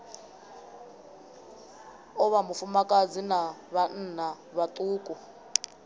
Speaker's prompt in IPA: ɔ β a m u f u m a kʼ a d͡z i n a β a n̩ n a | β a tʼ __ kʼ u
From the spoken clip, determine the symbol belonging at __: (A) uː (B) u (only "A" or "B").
A